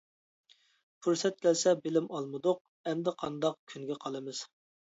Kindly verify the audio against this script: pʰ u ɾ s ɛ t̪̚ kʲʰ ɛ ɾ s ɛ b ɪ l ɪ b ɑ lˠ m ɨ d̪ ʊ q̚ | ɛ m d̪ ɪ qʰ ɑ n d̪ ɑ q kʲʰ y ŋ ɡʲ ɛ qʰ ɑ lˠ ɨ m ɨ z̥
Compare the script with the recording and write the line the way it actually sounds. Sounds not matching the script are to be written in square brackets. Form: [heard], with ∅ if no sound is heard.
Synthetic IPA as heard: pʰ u ɾ s ɛ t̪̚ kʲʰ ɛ [l] s ɛ b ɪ l ɪ [m] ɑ lˠ m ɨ d̪ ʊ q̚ | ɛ m d̪ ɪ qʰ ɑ n d̪ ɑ q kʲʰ y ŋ ɡʲ ɛ qʰ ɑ lˠ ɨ m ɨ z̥

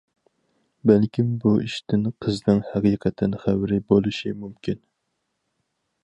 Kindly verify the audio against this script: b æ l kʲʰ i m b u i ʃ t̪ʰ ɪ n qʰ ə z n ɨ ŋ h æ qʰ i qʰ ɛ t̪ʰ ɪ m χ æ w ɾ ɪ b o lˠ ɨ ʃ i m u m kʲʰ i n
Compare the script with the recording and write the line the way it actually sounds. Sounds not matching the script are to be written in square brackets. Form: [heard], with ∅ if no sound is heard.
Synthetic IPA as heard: b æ l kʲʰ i m b u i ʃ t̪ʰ ɪ n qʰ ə z n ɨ ŋ h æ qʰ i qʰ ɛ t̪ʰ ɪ [n] χ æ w ɾ ɪ b o lˠ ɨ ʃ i m u m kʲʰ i n

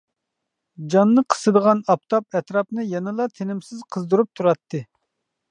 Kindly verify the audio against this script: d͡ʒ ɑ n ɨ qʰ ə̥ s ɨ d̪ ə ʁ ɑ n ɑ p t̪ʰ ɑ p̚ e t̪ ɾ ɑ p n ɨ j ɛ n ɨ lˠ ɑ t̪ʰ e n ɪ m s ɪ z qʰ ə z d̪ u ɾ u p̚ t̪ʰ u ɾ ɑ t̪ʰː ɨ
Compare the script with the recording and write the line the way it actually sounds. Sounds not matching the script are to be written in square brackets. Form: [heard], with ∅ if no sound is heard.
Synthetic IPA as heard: d͡ʒ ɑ [nː] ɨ qʰ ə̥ s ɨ d̪ ə ʁ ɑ n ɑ p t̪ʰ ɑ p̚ [ɛ] t̪ ɾ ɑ p n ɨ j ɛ n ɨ lˠ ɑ t̪ʰ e n ɪ m s ɪ z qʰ ə z d̪ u ɾ u p̚ t̪ʰ u ɾ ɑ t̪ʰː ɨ

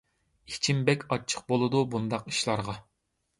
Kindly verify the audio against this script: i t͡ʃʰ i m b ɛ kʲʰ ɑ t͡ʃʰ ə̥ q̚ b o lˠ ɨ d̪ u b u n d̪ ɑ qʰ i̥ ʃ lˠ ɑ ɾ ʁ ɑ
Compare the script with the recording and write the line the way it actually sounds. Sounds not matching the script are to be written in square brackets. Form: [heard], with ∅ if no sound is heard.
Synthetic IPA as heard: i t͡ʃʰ i m b ɛ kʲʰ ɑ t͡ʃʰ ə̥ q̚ b o lˠ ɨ d̪ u b u n d̪ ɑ [q] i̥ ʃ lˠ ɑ ɾ ʁ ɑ

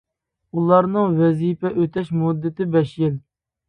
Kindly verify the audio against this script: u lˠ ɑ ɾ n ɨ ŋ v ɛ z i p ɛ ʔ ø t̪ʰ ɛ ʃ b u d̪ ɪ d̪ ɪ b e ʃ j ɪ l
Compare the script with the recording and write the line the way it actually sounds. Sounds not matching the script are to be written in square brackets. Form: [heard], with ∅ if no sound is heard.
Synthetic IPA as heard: u lˠ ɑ ɾ n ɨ ŋ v ɛ z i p ɛ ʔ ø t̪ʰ ɛ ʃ [m] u [d̪ː] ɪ [t̪] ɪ b [ɛ] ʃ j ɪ l

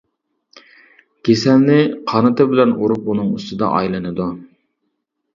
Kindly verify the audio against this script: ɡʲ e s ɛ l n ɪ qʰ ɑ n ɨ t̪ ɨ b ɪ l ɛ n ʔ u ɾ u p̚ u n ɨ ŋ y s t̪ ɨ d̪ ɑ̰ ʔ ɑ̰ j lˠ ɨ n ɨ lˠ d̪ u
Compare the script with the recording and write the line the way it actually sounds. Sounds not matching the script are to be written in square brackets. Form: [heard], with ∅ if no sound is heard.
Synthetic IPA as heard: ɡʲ e s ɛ l n ɪ qʰ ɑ n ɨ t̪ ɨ b ɪ l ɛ n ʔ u ɾ u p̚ u n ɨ ŋ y s t̪ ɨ d̪ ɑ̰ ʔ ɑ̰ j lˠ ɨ n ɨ [∅] d̪ u

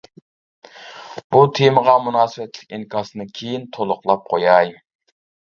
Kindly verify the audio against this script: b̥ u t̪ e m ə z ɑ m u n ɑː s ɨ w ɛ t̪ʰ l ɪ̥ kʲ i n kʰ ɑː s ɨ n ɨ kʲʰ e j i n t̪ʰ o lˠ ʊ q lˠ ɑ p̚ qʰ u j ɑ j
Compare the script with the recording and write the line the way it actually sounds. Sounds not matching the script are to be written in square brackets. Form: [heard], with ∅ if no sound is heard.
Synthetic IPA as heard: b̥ u [t̪ʰ] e m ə [ʁ] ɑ m u n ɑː s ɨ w ɛ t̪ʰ l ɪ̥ kʲ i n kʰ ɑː s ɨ n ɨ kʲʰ e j i n t̪ʰ o lˠ ʊ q lˠ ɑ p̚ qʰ [o] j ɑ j

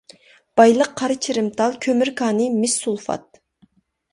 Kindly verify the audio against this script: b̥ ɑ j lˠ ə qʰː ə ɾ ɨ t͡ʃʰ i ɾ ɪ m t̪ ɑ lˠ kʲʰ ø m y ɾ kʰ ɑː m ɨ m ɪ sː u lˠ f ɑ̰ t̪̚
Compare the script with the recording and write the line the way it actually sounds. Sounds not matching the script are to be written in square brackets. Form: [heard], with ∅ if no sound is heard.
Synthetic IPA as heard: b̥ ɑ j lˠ ə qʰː [ɑ] ɾ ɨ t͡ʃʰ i ɾ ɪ m t̪ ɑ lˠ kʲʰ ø m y ɾ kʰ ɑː [n] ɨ m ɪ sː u lˠ f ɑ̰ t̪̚

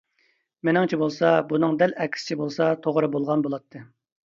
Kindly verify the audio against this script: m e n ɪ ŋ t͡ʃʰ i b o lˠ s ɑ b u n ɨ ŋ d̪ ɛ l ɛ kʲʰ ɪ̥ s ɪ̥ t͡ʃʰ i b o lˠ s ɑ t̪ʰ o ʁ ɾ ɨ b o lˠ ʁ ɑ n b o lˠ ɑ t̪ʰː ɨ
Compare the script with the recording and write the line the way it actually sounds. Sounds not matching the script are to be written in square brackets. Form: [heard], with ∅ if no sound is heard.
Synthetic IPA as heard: m e n ɪ ŋ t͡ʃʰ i b o lˠ s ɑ b u n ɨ ŋ d̪ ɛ l ɛ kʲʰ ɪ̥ s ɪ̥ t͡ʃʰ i b o lˠ s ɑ t̪ʰ o ʁ ɾ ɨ b o lˠ ʁ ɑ n b o lˠ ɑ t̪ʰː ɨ

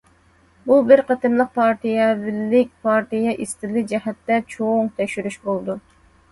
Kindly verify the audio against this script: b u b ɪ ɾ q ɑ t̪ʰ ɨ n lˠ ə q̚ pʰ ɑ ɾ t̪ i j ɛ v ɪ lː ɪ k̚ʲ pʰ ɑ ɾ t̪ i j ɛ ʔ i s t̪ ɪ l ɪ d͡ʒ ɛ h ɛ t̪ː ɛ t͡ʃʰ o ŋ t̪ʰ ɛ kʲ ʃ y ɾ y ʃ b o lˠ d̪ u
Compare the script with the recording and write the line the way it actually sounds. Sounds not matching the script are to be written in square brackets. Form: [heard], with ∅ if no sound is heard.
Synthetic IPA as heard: b u b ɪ ɾ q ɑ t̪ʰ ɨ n lˠ ə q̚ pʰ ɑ ɾ t̪ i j ɛ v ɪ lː ɪ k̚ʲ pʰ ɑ ɾ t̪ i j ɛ ʔ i s t̪ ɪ l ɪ d͡ʒ ɛ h ɛ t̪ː ɛ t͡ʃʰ o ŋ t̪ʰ ɛ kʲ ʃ y ɾ y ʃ b o lˠ d̪ u

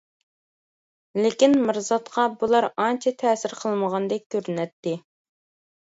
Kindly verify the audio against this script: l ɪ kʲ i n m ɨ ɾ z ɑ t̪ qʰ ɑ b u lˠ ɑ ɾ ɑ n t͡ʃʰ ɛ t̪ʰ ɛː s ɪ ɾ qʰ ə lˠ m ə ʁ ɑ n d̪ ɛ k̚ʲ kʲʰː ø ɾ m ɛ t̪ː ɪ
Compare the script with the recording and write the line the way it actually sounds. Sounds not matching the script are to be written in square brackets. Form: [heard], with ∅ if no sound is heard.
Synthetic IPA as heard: l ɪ kʲ i n m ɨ ɾ z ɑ t̪ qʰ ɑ b u lˠ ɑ ɾ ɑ n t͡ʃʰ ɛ t̪ʰ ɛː s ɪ ɾ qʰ ə lˠ m ə ʁ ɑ n d̪ ɛ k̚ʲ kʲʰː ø ɾ [n] ɛ t̪ː ɪ

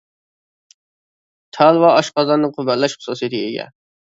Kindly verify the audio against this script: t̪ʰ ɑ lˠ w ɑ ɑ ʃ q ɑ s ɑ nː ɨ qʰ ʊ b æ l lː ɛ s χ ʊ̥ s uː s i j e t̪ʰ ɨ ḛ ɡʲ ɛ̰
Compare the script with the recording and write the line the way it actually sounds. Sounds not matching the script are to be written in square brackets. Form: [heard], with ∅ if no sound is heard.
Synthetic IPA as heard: t̪ʰ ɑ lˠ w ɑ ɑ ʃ q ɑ [z] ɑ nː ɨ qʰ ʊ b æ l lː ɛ [ʃ] χ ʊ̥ s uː s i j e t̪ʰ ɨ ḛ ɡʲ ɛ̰

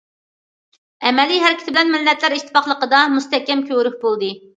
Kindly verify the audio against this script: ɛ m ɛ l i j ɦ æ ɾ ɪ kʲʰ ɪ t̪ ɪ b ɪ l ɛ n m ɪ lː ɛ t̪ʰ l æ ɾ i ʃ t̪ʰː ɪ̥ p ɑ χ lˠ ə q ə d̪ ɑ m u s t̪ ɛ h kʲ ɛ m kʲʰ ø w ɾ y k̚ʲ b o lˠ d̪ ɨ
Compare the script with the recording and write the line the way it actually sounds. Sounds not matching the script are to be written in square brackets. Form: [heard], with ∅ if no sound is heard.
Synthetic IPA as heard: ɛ m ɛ l i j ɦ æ ɾ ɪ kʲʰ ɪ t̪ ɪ b ɪ l ɛ n m ɪ lː ɛ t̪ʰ l æ ɾ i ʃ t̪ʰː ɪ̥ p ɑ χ lˠ ə q ə d̪ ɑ m u s t̪ ɛ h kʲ ɛ m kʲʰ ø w ɾ y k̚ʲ b o lˠ d̪ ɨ

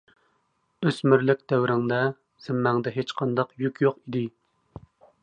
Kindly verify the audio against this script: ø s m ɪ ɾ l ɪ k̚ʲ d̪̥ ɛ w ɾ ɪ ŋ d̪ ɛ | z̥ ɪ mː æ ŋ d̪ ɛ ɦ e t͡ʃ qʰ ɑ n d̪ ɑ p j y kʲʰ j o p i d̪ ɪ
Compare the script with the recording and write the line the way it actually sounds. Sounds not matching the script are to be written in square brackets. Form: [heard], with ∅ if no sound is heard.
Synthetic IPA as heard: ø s m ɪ ɾ l ɪ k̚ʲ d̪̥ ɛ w ɾ ɪ ŋ d̪ ɛ | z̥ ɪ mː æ ŋ d̪ ɛ ɦ e t͡ʃ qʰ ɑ n d̪ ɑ [q] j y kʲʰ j o [q] i d̪ ɪ

